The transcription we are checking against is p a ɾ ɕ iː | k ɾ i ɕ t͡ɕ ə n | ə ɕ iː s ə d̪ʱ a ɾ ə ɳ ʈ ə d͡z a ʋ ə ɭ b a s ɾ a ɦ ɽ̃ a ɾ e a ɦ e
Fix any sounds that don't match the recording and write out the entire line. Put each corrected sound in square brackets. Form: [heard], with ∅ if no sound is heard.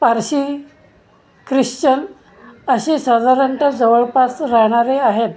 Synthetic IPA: p a ɾ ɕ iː | k ɾ i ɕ t͡ɕ ə n | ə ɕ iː s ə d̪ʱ a ɾ ə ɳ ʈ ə d͡z [ə] ʋ ə ɭ [p] a s ɾ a ɦ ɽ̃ a ɾ e a ɦ e